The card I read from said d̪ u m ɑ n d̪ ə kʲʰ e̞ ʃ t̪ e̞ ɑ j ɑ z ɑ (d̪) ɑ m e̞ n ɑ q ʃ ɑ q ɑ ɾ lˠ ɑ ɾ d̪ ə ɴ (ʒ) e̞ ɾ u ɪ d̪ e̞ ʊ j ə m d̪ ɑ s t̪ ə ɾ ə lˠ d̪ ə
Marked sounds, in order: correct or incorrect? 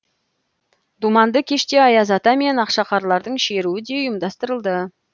incorrect: t̪, incorrect: ʃ

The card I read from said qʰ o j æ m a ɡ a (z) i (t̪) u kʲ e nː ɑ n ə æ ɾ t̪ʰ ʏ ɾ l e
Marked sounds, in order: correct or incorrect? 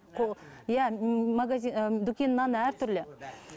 correct, incorrect: d̪

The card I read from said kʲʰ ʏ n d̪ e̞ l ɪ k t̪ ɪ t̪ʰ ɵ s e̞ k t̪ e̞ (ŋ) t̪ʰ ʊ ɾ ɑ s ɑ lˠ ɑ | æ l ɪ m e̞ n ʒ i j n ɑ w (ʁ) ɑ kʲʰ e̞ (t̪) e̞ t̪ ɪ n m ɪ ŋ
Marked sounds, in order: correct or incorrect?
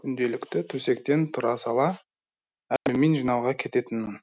incorrect: n, correct, correct

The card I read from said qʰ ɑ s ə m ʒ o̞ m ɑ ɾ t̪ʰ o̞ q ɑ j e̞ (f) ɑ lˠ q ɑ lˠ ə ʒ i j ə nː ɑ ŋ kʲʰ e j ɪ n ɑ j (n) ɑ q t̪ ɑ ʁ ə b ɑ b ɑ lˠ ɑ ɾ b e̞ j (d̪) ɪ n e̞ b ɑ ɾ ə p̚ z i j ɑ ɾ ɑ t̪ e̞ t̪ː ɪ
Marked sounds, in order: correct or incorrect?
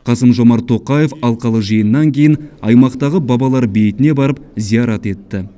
correct, incorrect: m, incorrect: t̪

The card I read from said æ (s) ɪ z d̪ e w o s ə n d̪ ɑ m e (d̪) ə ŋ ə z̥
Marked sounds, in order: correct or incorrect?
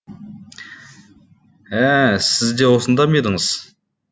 correct, correct

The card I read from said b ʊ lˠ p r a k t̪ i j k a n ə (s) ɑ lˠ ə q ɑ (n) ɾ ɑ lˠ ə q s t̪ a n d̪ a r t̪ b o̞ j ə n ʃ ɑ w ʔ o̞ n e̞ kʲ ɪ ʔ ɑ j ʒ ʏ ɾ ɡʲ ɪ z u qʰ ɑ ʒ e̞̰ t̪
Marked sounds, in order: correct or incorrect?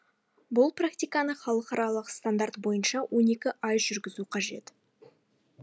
incorrect: χ, incorrect: none

